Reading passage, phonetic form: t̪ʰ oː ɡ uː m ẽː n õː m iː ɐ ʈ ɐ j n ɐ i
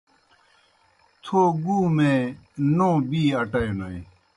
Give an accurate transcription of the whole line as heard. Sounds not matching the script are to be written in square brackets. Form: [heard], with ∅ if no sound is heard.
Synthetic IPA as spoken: t̪ʰ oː ɡ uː m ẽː n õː [b] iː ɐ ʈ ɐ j n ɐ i